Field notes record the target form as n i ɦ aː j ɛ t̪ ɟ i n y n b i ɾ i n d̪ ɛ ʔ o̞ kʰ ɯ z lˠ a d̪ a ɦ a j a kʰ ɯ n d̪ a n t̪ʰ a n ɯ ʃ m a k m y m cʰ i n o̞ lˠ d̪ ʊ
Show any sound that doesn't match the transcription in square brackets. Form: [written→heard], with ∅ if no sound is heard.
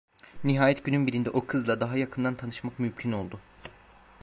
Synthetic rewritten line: n i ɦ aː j ɛ t̪ ɟ [i→y] n y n b i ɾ i n d̪ ɛ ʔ o̞ kʰ ɯ z lˠ a d̪ a ɦ a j a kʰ ɯ n d̪ a n t̪ʰ a n ɯ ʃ m a k m y m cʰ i n o̞ lˠ d̪ ʊ